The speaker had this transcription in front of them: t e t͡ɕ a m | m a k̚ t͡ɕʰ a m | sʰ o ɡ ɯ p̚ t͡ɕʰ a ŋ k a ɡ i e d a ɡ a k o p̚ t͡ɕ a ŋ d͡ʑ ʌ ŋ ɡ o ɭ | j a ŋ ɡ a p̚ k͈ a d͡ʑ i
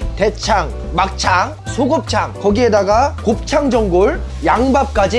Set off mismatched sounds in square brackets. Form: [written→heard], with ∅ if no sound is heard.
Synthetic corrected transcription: t e [t͡ɕ→t͡ɕʰ] a [m→ŋ] | m a k̚ t͡ɕʰ a [m→ŋ] | sʰ o ɡ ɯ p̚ t͡ɕʰ a ŋ k [a→ʌ] ɡ i e d a ɡ a k o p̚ [t͡ɕ→t͡ɕʰ] a ŋ d͡ʑ ʌ ŋ ɡ o ɭ | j a ŋ [ɡ→b] a p̚ k͈ a d͡ʑ i